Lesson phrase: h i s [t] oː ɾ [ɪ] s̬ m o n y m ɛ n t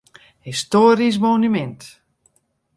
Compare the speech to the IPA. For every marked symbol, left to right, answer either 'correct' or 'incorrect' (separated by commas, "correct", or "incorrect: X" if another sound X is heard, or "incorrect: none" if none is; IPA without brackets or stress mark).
correct, incorrect: i